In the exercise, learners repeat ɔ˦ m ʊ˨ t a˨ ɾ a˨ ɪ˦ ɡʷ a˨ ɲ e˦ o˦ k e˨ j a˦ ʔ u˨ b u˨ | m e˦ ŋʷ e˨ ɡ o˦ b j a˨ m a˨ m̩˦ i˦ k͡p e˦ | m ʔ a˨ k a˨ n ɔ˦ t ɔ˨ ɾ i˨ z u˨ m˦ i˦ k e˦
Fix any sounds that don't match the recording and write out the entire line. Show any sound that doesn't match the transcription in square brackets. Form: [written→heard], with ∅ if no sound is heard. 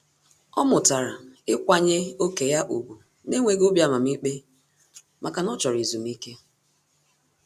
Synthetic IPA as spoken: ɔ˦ m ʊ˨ t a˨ ɾ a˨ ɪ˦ [ɡʷ→kʷ] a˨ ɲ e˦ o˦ k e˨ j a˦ ʔ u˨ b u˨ | [m→n] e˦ ŋʷ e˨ ɡ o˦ b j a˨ m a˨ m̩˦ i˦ k͡p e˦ | m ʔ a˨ k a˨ n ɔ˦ [t→t͡ʃ] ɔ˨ ɾ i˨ z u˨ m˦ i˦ k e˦

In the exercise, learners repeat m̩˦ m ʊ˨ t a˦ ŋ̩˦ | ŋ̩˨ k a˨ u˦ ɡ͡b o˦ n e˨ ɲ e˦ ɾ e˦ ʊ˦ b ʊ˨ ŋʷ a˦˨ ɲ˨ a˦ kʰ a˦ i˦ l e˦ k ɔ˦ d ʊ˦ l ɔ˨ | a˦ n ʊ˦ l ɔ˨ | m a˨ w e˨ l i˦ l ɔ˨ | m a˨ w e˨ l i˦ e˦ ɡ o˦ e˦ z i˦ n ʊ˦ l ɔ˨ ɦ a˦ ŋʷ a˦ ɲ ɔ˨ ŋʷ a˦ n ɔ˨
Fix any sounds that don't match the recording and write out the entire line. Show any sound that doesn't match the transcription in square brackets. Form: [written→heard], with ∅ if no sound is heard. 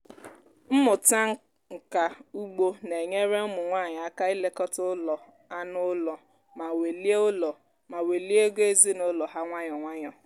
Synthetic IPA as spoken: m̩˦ m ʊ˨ t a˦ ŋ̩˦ | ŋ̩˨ k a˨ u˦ ɡ͡b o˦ n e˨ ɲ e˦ ɾ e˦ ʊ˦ [b→m] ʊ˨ ŋʷ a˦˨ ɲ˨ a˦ [kʰ→k] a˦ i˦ l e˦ k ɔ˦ [d→t] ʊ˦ l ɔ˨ | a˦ n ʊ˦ l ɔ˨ | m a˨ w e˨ l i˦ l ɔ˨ | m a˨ w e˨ l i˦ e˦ ɡ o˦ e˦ z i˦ n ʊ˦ l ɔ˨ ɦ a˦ ŋʷ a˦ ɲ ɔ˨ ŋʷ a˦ [n→ɲ] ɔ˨

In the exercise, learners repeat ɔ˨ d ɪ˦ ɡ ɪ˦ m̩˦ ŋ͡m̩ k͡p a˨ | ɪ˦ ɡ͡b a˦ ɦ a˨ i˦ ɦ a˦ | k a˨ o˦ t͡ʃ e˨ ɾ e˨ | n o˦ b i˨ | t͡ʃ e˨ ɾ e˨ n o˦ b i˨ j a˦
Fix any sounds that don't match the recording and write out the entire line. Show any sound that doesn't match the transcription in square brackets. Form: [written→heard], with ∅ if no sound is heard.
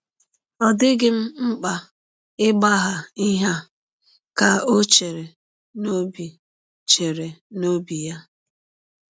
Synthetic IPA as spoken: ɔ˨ d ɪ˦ ɡ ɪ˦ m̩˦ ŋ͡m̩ k͡p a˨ | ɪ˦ ɡ͡b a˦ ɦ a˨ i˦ ɦ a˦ | k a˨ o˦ t͡ʃ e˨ ɾ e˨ | n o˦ b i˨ | t͡ʃ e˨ ɾ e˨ n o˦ b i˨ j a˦

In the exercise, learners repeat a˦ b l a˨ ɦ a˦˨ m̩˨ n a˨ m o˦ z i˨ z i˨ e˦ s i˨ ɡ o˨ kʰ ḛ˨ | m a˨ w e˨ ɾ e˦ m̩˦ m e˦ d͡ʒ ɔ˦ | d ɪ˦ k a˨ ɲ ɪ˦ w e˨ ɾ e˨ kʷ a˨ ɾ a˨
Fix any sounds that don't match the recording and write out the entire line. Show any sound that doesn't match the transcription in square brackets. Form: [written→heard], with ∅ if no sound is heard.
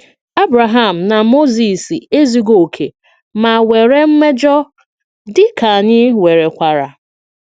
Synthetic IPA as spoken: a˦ b [l→ɾ] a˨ ɦ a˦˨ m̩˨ n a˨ m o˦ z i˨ [z→s] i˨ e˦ [s→z] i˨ ɡ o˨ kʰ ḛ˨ | m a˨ w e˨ ɾ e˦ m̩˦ m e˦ d͡ʒ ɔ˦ | d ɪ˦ k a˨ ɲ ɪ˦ w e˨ ɾ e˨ kʷ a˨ ɾ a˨

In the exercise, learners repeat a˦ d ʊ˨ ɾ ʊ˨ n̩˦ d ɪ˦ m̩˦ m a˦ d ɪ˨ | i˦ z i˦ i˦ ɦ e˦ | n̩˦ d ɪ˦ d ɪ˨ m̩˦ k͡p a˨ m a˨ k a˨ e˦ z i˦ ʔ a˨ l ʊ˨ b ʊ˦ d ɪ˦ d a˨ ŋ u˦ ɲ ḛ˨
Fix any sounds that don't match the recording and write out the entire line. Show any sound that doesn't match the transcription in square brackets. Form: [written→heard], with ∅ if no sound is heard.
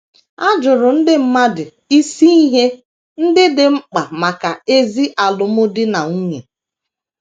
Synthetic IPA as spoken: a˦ [d→d͡ʒ] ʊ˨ ɾ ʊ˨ n̩˦ d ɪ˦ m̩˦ m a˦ d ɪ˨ | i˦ [z→s] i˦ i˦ ɦ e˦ | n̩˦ d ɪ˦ d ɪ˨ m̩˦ k͡p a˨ m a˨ k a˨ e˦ z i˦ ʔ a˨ l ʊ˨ [b→m] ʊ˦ d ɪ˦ [d→n] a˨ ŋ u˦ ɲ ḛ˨

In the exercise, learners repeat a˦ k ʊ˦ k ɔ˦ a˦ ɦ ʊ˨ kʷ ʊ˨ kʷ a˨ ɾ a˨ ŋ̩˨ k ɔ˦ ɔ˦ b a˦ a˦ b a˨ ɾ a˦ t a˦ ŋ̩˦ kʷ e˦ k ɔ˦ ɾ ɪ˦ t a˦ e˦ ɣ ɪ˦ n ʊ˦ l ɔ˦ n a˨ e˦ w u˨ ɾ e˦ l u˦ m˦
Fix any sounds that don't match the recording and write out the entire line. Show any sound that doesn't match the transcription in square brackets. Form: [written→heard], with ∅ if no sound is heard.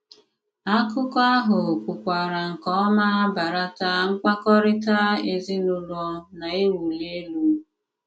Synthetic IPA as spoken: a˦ k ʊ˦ k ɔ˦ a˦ ɦ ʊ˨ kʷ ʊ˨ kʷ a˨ ɾ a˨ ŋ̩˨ k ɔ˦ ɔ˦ [b→m] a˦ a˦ b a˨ ɾ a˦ t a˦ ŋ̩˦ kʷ [e˦→a˦] k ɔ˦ ɾ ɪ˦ t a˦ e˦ [ɣ→z] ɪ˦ n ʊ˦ l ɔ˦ n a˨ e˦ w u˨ [ɾ→l] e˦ l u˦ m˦

